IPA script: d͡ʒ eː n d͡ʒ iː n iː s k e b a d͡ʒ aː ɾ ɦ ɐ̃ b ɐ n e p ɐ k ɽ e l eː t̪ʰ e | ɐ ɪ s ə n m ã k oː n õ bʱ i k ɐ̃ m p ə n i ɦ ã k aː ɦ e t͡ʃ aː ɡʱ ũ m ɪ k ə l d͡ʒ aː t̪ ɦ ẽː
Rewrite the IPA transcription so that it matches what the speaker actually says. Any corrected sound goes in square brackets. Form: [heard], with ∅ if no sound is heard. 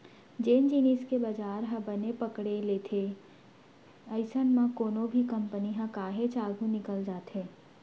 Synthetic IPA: d͡ʒ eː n d͡ʒ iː n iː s k e b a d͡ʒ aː ɾ ɦ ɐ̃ b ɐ n e p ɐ k ɽ e l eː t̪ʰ e | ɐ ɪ s ə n m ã k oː n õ bʱ i k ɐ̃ m p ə n i ɦ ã k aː ɦ e t͡ʃ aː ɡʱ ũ [n] ɪ k ə l d͡ʒ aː t̪ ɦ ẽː

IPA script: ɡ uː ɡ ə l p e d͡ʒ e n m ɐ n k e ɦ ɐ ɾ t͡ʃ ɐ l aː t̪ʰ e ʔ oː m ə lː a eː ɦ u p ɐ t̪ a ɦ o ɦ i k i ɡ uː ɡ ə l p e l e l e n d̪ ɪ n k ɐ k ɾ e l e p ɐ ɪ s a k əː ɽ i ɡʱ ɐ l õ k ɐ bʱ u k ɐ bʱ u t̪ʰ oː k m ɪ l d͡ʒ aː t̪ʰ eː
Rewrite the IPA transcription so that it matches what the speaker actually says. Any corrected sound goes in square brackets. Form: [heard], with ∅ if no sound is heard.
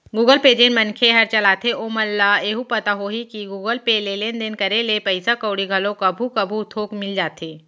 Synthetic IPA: ɡ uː ɡ ə l p e d͡ʒ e n m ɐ n [kʰ] e ɦ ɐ ɾ t͡ʃ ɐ l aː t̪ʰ e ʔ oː m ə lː a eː ɦ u p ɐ t̪ a ɦ o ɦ i k i ɡ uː ɡ ə l p e l e l e n d̪ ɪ n k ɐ [∅] ɾ e l e p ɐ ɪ s a k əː ɽ i ɡʱ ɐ l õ k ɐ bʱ u k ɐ bʱ u t̪ʰ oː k m ɪ l d͡ʒ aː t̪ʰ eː

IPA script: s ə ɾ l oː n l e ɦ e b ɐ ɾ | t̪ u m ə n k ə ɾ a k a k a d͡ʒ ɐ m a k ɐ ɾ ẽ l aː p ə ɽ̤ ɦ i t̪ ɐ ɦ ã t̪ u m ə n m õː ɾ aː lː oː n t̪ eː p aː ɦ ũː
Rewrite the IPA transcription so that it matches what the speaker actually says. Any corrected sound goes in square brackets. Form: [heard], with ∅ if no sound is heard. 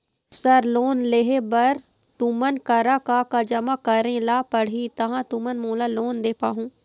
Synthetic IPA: s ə ɾ l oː n l e ɦ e b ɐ ɾ | t̪ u m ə n k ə ɾ a k a k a d͡ʒ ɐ m a k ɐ ɾ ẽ l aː p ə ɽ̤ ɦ i t̪ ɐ ɦ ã t̪ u m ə n m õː [l] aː [l] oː n [d̪] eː p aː ɦ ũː

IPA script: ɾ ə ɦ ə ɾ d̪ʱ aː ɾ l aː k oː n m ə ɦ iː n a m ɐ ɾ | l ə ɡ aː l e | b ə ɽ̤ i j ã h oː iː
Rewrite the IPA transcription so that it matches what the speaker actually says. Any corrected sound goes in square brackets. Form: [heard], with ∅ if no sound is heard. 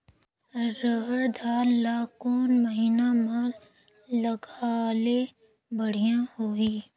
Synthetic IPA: ɾ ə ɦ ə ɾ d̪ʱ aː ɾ l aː k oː n m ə ɦ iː n a m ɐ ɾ | l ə ɡ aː l e | b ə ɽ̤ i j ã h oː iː

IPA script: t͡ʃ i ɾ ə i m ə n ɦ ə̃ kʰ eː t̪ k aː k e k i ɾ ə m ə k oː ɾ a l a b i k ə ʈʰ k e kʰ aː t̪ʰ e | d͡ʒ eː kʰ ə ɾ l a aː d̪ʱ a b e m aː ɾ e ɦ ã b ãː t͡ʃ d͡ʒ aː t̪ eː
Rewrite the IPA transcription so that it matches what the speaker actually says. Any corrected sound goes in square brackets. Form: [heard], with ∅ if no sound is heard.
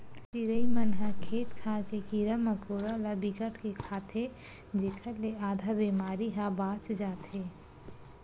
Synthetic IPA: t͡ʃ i ɾ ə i m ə n ɦ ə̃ kʰ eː t̪ [kʰ] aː k e k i ɾ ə m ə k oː ɾ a l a b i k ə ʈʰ k e kʰ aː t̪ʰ e | d͡ʒ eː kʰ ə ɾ l [e] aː d̪ʱ a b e m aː ɾ [i] ɦ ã b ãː t͡ʃ d͡ʒ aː t̪ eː

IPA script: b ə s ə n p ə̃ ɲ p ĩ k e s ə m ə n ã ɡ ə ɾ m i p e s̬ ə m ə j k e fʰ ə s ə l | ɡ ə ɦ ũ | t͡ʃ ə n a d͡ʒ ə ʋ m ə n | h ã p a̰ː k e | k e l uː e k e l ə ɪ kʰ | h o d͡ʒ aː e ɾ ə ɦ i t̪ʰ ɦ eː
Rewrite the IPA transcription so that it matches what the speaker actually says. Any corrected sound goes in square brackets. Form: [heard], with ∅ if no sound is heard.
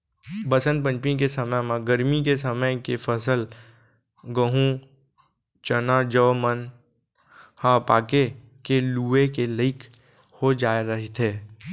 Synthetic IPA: b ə s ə n p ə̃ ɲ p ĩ k e s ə m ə [m] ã ɡ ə ɾ m i [k] e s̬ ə m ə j k e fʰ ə s ə l | ɡ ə ɦ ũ | t͡ʃ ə n a d͡ʒ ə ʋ m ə n | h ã p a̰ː k e | k e l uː e k e l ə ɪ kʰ | h o d͡ʒ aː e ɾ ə ɦ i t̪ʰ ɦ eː

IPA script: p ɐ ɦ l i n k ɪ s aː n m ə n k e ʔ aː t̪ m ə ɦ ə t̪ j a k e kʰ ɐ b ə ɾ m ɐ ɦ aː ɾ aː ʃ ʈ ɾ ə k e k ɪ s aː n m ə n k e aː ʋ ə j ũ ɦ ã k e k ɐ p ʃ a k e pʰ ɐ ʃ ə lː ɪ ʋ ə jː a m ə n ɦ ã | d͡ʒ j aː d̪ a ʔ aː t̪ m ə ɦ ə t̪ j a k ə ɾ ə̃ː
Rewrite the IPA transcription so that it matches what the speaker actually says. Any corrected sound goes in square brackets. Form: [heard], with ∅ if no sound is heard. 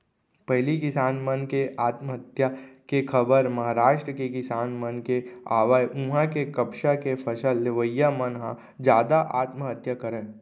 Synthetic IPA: p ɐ ɦ l i [∅] k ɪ s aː n m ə n k e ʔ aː t̪ m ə ɦ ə t̪ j a k e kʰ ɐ b ə ɾ m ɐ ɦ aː ɾ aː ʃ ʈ ɾ ə k e k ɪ s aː n m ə n k e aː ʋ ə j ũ ɦ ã k e k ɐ p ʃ a k e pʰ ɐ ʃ ə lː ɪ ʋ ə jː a m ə n ɦ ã | d͡ʒ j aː d̪ a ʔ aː t̪ m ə ɦ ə t̪ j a k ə ɾ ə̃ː

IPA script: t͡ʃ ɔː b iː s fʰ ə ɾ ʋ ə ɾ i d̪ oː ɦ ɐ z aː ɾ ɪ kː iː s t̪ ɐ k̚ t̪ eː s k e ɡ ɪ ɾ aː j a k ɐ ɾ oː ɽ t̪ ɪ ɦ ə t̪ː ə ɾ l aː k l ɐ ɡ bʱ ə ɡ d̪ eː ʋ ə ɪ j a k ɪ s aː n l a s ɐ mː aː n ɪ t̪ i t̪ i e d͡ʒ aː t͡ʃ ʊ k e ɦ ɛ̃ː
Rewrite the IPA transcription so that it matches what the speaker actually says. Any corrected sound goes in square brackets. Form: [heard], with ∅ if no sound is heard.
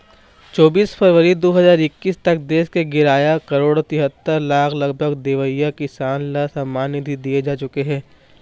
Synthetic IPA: t͡ʃ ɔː b iː s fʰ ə ɾ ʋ ə ɾ i d̪ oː ɦ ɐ z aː ɾ ɪ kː iː s t̪ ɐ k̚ [d̪] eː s k e ɡ ɪ ɾ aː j a k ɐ ɾ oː ɽ t̪ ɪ ɦ ə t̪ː ə ɾ l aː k l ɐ ɡ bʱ ə ɡ d̪ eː ʋ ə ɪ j a k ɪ s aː n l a s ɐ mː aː n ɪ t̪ i [d̪] i e d͡ʒ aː t͡ʃ ʊ k e ɦ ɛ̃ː

